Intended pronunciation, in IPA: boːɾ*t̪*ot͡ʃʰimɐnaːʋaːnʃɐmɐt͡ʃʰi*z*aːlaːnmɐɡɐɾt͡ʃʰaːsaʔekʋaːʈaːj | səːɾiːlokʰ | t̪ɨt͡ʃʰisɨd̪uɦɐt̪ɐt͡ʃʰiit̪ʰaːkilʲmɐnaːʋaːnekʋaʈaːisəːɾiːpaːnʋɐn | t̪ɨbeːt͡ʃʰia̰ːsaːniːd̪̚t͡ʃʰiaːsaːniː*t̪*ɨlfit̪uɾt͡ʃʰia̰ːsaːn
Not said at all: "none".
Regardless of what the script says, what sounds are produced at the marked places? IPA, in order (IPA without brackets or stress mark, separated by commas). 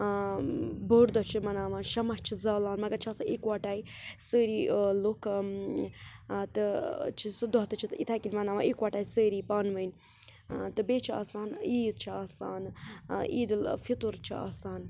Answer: d̪, z, d̪